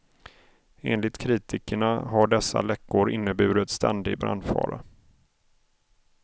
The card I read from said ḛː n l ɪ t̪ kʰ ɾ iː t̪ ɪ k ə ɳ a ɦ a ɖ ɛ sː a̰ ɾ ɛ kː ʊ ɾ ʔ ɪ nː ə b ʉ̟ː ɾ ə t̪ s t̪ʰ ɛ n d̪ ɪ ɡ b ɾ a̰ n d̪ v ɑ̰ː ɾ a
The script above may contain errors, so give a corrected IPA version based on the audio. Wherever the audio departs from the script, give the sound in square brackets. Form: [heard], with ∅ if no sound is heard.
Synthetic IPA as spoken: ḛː n l ɪ t̪ kʰ ɾ iː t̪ ɪ k ə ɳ a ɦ a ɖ ɛ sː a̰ [l] ɛ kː ʊ ɾ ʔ ɪ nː ə b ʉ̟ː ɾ ə t̪ s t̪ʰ ɛ n d̪ ɪ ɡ b ɾ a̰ n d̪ [f] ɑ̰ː ɾ a